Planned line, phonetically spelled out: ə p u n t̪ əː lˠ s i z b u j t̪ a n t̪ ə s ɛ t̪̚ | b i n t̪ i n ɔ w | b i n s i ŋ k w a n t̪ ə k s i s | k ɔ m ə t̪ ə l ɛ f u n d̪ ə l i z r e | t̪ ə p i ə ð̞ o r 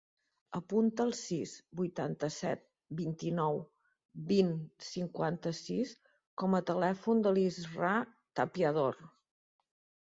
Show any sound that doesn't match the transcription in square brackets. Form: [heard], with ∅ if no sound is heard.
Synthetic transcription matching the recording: ə p u n t̪ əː lˠ s i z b u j t̪ a n t̪ ə s ɛ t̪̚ | b i n t̪ i n ɔ w | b i n s i ŋ k w a n t̪ ə [∅] s i s | k ɔ m ə t̪ ə l ɛ f u n d̪ ə l i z r [a] | t̪ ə p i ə ð̞ o r

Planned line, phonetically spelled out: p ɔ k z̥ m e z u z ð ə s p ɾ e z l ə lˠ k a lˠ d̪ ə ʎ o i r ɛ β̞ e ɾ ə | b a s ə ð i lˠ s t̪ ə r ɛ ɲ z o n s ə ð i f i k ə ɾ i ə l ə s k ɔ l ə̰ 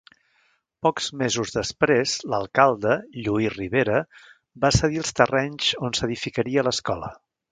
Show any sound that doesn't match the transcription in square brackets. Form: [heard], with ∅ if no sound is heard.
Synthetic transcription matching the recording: p ɔ k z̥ m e z u z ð ə s p ɾ e z l ə lˠ k a lˠ d̪ ə ʎ [u] i r [i] β̞ e ɾ ə | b a s ə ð i lˠ s t̪ ə r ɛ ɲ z o n s ə ð i f i k ə ɾ i ə l ə s k ɔ l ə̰

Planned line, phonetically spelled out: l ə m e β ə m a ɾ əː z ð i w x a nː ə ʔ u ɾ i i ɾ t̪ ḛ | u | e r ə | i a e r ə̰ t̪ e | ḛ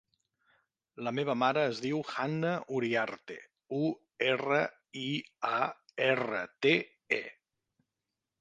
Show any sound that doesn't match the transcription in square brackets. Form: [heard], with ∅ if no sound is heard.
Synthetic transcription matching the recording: l ə m e β ə m a ɾ əː z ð i w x a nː ə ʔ u ɾ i [a] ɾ t̪ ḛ | u | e r ə | i a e r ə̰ t̪ e | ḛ

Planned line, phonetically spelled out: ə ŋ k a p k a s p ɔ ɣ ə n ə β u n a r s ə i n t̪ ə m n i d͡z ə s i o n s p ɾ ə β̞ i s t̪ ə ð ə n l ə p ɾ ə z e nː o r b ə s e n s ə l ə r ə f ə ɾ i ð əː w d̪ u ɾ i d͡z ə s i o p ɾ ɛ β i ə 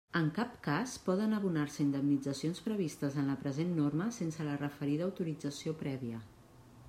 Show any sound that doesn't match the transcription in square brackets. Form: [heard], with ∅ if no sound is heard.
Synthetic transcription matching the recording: ə ŋ k a p k a s p ɔ [ð] ə n ə β u n a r s ə i n [d̪] ə m n i d͡z ə s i o n s p ɾ ə β̞ i s t̪ ə [z] ə n l ə p ɾ ə z e nː o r [m] ə s e n s ə l ə r ə f ə ɾ i ð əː w [t̪] u ɾ i d͡z ə s i o p ɾ ɛ β i ə

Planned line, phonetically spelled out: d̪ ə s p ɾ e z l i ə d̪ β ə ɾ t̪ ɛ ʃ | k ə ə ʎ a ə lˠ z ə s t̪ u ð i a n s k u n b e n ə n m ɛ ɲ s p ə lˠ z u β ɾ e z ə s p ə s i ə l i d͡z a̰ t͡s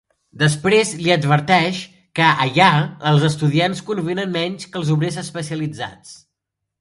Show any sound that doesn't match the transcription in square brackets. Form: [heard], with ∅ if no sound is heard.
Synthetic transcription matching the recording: d̪ ə s p ɾ e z l i ə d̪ β ə ɾ t̪ ɛ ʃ | k ə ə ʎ a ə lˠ z ə s t̪ u ð i a n s k u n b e n ə n m ɛ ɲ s [k] ə lˠ z u β ɾ e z ə s p ə s i ə l i d͡z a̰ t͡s

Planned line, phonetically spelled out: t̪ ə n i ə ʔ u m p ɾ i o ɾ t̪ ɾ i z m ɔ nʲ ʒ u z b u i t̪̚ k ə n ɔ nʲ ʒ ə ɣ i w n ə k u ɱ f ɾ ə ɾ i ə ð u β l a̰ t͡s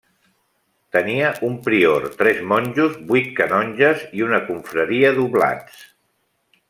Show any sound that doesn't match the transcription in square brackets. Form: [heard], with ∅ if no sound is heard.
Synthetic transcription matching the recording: t̪ ə n i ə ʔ u m p ɾ i o ɾ t̪ ɾ [ɛ] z m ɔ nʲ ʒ u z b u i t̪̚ k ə n ɔ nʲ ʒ ə [z] i [u] n ə k u ɱ f ɾ ə ɾ i ə ð u β l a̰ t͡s

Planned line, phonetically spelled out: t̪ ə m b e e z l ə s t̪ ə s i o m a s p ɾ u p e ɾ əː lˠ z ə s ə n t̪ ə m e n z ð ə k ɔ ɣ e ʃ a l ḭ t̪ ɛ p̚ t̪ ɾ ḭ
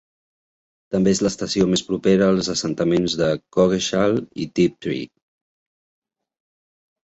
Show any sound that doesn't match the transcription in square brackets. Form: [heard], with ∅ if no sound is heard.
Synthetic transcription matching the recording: t̪ ə m b e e z l ə s t̪ ə s i o m [e] s p ɾ u p e ɾ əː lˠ z ə s ə n t̪ ə m e n z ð ə k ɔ ɣ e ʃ a l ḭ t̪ [i] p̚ t̪ ɾ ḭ

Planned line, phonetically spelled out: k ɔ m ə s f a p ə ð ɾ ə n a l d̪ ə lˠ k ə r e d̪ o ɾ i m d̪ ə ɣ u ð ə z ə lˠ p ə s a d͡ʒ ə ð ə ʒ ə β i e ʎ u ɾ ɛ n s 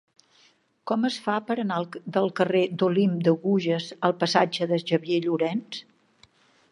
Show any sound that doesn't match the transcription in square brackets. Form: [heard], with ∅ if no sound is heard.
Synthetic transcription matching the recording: k ɔ m ə s f a p ə [∅] ɾ ə n a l d̪ ə lˠ k ə r e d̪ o [l] i m d̪ ə ɣ u [ʒ] ə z ə lˠ p ə s a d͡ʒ ə ð ə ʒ ə β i e ʎ u ɾ ɛ n s

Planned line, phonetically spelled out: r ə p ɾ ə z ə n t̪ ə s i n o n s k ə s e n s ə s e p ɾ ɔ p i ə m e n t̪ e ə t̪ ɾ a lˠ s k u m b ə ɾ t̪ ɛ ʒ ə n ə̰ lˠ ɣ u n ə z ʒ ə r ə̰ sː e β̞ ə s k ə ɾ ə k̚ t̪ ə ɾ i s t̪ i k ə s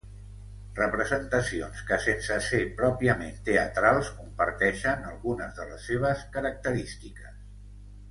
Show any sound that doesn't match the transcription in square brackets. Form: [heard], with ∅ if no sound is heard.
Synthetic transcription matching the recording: r ə p ɾ ə z ə n t̪ ə s i [∅] o n s k ə s e n s ə s e p ɾ ɔ p i ə m e n t̪ e ə t̪ ɾ a lˠ s k u m [p] ə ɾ t̪ ɛ [ʃ] ə n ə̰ lˠ ɣ u n ə z [ð] ə [l] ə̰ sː e β̞ ə s k ə ɾ ə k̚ t̪ ə ɾ i s t̪ i k ə s

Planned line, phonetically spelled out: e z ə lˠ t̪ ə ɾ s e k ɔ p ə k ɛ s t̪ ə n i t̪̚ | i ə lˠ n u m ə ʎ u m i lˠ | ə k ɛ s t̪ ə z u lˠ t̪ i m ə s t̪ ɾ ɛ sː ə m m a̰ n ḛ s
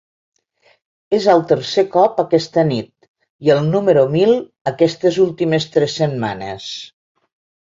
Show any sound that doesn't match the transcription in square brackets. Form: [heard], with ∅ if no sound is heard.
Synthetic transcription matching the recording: e z ə lˠ t̪ ə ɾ s e k ɔ p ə k ɛ s t̪ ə n i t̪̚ | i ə lˠ n u m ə [ɾ] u m i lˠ | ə k ɛ s t̪ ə z u lˠ t̪ i m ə s t̪ ɾ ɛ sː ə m m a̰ n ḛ s

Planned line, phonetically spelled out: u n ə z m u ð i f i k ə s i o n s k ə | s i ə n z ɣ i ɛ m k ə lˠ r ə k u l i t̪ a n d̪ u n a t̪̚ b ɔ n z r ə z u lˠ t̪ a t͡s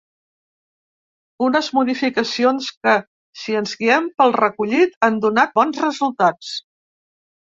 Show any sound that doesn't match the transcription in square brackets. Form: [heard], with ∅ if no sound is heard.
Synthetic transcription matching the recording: u n ə z m u ð i f i k ə s i o n s k ə | s i ə n z ɣ i ɛ m [p] ə lˠ r ə k u [ʎ] i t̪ a n d̪ u n a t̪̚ b ɔ n z r ə z u lˠ t̪ a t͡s

